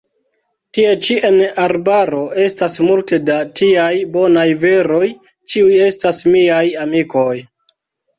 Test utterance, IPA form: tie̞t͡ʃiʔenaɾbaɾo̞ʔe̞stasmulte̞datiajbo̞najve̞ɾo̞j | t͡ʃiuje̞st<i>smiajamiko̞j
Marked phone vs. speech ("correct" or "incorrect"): incorrect